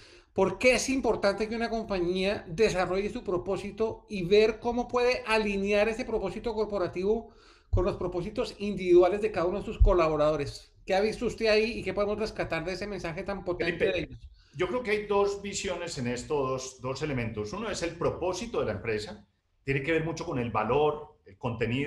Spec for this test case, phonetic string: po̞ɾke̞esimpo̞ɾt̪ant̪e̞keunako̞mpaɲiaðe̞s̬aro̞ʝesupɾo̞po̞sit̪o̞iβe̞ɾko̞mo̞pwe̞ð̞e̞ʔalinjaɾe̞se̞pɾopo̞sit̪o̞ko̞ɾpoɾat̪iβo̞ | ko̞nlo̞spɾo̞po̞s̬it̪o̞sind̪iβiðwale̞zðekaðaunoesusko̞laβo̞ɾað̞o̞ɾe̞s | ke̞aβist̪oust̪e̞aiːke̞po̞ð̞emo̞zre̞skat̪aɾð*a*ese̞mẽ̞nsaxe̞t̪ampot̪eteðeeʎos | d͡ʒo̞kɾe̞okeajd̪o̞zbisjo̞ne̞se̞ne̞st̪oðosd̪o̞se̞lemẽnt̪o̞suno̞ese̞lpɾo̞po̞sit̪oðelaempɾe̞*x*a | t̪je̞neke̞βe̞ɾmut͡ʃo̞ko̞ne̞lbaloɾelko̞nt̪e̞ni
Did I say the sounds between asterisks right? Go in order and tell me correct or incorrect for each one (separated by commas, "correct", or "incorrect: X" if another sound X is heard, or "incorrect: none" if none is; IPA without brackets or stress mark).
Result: incorrect: e, incorrect: s